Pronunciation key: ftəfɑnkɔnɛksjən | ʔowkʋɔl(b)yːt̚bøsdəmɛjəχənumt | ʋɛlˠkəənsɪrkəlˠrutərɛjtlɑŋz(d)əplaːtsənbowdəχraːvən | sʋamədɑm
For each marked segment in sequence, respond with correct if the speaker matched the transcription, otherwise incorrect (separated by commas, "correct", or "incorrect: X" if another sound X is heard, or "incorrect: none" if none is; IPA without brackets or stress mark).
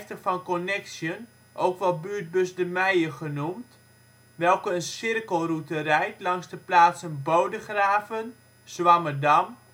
correct, correct